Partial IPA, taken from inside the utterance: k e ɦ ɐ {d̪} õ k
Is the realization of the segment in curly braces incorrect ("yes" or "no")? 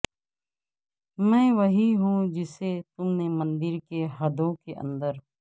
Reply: no